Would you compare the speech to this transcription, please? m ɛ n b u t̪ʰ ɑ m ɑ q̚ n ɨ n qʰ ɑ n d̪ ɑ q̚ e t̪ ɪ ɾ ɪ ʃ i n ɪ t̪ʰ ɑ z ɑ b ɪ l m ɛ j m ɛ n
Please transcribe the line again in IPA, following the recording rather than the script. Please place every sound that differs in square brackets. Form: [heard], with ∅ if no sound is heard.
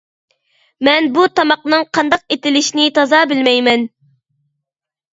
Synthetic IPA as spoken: m ɛ n b u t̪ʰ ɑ m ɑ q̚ n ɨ [ŋ] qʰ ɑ n d̪ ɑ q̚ e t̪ ɪ [l] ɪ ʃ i n ɪ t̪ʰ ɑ z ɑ b ɪ l m ɛ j m ɛ n